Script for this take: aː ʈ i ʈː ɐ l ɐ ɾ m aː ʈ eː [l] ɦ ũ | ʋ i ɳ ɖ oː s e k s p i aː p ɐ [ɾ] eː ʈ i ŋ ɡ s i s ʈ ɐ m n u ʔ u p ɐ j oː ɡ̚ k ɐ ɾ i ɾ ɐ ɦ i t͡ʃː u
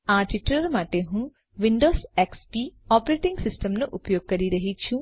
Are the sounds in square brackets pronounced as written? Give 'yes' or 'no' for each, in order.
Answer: no, yes

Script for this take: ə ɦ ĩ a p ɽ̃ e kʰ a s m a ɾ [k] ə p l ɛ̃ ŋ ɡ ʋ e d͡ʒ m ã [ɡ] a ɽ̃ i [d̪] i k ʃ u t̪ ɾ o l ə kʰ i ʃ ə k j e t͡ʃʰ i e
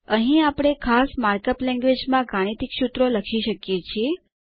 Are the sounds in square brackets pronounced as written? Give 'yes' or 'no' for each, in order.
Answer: yes, yes, no

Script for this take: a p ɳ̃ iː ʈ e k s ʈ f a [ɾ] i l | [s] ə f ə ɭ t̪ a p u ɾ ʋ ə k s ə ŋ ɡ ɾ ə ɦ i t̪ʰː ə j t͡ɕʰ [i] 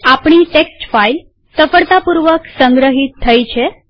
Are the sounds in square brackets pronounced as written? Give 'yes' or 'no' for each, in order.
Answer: no, yes, no

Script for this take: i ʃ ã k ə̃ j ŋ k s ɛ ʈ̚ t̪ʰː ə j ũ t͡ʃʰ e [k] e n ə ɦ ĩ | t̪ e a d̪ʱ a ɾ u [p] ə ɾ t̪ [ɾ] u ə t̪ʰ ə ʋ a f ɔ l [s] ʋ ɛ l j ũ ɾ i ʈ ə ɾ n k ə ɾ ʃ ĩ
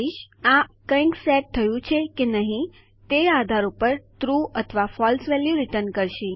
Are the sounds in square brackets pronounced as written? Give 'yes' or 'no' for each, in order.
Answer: yes, yes, yes, yes

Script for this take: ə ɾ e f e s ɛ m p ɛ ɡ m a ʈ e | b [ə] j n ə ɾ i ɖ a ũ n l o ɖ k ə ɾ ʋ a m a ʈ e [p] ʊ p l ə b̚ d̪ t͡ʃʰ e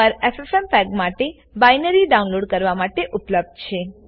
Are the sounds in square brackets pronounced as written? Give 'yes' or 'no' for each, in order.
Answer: no, no

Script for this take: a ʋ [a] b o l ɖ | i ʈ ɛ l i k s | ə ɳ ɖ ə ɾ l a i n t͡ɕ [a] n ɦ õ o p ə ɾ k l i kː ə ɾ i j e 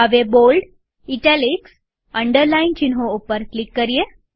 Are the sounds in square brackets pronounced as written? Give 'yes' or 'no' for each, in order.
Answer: no, no

